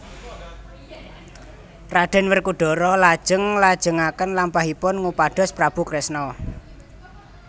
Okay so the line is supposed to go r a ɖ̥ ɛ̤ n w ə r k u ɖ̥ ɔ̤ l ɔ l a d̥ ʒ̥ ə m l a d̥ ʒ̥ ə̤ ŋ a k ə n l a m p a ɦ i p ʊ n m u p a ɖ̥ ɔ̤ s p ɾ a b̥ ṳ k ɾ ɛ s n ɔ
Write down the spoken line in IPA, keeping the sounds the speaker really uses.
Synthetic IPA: r a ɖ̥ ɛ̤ n w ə r k u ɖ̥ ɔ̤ ɾ ɔ l a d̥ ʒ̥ ə ŋ l a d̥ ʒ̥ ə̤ ŋ a k ə n l a m p a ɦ i p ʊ n ŋ u p a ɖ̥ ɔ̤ s p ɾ a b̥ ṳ k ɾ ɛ s n ɔ